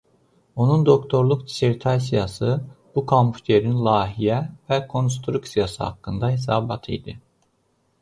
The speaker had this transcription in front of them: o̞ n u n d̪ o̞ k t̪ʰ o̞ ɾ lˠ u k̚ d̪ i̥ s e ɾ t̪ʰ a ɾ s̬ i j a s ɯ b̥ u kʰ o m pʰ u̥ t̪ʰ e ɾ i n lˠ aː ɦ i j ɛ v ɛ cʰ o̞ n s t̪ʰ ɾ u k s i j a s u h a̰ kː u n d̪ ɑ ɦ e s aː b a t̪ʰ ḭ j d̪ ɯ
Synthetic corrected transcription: o̞ n u n d̪ o̞ k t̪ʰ o̞ ɾ lˠ u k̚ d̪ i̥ s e ɾ t̪ʰ a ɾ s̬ i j a s ɯ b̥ u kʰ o m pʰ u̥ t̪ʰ e ɾ i n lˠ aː ɦ i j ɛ v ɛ kʰ o̞ n s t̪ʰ ɾ u k s i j a s ɯ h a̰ kː ɯ n d̪ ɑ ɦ e s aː b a t̪ʰ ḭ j d̪ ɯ